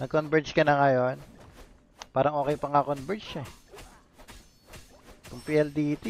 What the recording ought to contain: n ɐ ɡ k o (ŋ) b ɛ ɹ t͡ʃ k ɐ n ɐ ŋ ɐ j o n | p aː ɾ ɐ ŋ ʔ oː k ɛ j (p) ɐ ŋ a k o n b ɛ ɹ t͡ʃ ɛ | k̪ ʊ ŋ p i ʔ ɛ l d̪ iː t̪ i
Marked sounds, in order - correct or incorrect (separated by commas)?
incorrect, correct